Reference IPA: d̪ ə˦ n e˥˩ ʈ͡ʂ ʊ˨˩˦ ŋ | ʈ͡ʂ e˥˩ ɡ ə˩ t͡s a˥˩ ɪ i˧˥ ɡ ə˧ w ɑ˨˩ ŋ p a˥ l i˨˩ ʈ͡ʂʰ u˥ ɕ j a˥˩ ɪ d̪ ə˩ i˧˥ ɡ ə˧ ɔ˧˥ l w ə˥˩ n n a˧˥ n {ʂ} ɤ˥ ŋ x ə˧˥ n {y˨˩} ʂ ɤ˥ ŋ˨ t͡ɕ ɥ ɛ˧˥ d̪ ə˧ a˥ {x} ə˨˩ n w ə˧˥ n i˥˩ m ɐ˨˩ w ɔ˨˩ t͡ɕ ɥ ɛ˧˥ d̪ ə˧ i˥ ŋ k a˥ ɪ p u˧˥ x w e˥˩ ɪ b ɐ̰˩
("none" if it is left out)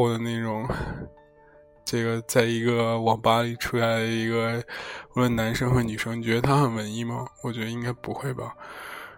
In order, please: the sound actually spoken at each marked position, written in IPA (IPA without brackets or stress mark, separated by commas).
ʂ, y˨˩, x